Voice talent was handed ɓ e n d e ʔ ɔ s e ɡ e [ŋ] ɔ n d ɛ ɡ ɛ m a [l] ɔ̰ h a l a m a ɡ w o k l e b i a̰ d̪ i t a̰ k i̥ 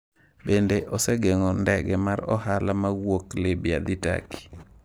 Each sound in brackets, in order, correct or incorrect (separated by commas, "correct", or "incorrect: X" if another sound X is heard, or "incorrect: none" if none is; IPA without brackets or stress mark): correct, incorrect: ɾ